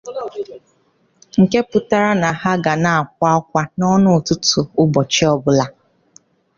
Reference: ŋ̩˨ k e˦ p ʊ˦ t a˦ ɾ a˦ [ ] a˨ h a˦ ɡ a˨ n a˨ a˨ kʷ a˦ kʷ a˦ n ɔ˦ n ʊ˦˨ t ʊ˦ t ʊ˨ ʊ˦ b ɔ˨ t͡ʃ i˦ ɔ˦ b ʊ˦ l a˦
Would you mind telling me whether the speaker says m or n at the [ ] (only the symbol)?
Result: n